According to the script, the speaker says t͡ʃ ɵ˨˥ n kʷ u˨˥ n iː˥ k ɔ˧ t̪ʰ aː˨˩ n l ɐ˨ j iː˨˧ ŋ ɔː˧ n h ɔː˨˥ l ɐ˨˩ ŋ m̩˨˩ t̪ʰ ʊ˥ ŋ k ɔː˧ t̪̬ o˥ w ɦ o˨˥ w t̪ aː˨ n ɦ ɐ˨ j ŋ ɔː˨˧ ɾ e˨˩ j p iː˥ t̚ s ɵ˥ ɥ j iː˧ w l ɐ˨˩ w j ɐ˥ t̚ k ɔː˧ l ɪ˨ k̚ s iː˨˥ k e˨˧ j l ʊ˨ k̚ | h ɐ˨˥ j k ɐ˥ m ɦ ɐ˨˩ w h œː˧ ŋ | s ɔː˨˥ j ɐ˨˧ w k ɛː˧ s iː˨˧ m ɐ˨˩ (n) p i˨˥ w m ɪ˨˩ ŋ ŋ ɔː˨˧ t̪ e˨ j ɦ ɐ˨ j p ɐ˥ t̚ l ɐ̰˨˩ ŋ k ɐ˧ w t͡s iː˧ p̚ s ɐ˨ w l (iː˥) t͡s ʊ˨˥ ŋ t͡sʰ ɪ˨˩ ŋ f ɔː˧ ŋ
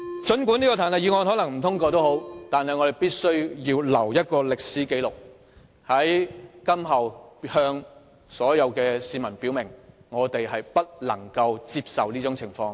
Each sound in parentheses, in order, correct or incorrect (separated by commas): correct, correct